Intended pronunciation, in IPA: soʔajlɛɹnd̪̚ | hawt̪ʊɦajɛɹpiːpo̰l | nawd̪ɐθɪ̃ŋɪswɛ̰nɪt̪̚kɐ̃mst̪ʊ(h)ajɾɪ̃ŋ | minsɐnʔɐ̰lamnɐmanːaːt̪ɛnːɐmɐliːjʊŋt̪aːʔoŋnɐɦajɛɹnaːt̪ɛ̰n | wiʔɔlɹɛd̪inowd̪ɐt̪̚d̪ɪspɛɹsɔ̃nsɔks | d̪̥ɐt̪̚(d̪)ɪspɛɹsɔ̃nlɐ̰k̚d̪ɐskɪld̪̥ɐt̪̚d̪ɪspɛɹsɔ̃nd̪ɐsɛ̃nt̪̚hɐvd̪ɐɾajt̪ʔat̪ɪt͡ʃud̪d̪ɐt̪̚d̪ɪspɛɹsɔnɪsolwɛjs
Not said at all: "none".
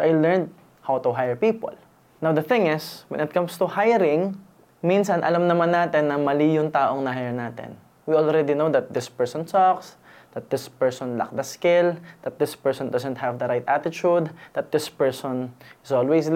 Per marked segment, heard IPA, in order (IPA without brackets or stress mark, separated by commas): h, d̪